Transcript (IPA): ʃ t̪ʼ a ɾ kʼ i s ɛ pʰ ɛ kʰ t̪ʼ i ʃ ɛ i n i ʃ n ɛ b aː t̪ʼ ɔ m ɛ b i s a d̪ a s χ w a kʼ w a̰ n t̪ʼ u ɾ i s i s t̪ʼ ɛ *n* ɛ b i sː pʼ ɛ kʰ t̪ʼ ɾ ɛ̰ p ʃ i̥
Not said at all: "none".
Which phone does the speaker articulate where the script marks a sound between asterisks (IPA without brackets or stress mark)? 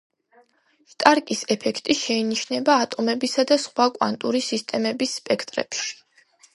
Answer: m